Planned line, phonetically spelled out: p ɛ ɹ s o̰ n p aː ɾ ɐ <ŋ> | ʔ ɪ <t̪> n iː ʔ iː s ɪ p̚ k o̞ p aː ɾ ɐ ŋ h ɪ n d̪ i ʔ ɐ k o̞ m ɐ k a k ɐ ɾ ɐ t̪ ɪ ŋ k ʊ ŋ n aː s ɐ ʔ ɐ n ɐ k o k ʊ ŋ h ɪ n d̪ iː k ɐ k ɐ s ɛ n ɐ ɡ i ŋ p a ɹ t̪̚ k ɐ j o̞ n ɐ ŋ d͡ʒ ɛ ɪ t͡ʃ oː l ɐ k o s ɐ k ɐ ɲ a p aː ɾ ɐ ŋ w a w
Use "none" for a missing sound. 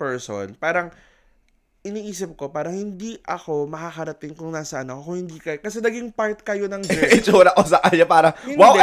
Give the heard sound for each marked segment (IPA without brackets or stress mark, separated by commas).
ŋ, none